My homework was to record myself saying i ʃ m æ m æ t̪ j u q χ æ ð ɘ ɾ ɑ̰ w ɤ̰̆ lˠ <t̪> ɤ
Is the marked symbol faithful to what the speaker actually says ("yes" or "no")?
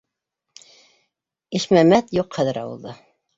no